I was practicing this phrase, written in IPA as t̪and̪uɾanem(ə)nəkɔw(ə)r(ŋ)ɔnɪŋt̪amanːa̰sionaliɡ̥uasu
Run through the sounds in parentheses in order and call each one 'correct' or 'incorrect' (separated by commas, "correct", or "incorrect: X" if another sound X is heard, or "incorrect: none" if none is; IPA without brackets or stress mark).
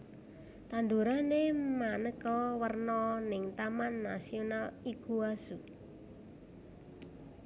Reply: incorrect: a, correct, incorrect: n